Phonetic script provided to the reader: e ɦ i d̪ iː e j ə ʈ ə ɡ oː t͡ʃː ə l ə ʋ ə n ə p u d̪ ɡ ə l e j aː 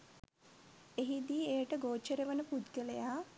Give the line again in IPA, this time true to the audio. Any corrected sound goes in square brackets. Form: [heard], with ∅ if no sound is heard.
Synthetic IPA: e ɦ i d̪ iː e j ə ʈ ə ɡ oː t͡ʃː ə [ɾ] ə ʋ ə n ə p u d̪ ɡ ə l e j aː